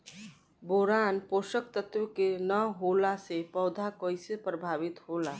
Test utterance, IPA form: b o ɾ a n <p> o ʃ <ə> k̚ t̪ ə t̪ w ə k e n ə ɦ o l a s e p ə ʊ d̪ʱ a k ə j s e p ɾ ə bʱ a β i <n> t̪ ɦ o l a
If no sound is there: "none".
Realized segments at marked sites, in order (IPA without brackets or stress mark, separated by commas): p, ə, none